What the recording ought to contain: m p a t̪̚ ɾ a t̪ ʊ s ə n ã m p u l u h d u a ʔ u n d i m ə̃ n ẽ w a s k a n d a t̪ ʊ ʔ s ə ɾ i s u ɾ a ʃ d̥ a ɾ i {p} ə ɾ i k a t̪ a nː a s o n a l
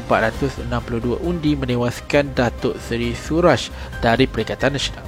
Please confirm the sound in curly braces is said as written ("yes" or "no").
yes